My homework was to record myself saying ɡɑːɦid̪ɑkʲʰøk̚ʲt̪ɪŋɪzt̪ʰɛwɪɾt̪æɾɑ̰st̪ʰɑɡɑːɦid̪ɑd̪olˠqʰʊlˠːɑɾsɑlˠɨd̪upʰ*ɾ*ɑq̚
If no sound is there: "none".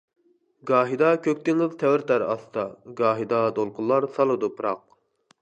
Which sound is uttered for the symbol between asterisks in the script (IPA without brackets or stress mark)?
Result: ɾ